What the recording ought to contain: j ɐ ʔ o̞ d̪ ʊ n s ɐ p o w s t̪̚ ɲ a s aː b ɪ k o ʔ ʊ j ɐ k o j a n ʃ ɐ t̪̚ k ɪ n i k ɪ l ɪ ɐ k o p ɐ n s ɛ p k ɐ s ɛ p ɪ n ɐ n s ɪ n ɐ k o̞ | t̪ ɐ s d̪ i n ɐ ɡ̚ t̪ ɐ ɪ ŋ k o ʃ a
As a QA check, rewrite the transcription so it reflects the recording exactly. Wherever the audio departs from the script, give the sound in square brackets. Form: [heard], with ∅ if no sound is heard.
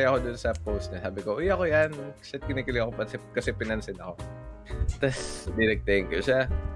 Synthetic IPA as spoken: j ɐ [k] o̞ d̪ ʊ n s ɐ p o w s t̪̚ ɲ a s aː b ɪ k o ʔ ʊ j ɐ k o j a n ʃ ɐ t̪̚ k ɪ n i k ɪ l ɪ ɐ k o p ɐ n s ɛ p k ɐ s ɛ p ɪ n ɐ n s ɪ n ɐ k o̞ | t̪ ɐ s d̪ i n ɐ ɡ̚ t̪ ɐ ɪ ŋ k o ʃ a